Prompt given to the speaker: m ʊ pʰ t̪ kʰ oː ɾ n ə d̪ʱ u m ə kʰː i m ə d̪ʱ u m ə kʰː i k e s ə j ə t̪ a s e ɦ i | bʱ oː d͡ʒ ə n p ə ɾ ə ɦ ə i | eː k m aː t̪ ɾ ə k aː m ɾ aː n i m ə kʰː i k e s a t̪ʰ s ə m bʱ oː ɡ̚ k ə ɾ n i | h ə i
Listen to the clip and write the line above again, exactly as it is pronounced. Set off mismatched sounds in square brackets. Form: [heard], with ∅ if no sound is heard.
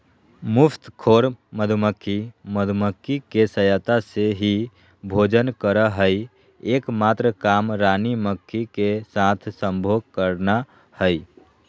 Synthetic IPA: m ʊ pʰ t̪ kʰ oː ɾ [m] ə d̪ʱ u m ə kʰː i m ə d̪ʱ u m ə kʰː i k e s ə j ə t̪ a s e ɦ i | bʱ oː d͡ʒ ə n [k] ə ɾ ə ɦ ə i | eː k m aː t̪ ɾ ə k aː m ɾ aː n i m ə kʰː i k e s a t̪ʰ s ə m bʱ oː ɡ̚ k ə ɾ n [a] | h ə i